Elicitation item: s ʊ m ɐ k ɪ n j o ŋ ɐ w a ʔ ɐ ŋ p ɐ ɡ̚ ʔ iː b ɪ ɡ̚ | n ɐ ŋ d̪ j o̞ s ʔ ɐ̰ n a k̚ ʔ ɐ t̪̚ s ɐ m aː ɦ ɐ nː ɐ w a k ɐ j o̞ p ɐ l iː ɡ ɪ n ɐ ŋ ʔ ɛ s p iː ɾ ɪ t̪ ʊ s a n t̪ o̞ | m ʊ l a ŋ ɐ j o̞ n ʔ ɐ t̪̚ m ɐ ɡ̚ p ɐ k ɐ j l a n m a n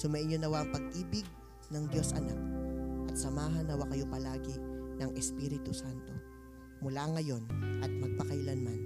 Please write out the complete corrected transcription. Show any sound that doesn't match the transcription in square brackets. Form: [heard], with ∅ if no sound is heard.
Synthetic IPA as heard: s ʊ m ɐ [ʔ] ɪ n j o [n] ɐ w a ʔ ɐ ŋ p ɐ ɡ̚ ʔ iː b ɪ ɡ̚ | n ɐ ŋ d̪ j o̞ s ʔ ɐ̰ n a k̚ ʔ ɐ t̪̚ s ɐ m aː ɦ ɐ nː ɐ w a k ɐ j o̞ p ɐ l [aː] ɡ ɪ n ɐ ŋ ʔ ɛ s p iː ɾ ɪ t̪ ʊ s a n t̪ o̞ | m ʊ l a ŋ ɐ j o̞ n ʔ ɐ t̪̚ m ɐ ɡ̚ p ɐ k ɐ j l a n m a n